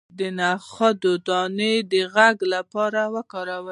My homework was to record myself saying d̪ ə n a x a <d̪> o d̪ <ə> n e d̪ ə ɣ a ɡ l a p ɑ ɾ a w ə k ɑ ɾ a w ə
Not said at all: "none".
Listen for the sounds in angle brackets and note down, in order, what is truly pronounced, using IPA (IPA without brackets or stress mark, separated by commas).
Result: d̪, ɑ